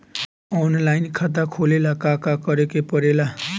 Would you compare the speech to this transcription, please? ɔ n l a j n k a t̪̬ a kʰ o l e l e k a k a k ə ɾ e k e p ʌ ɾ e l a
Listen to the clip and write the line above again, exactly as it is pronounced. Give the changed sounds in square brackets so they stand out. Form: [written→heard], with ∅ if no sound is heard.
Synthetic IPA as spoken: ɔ n l a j n [k→kʰ] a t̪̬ a kʰ o l e l [e→a] k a k a k [ə→ʌ] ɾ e k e p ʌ ɾ e l a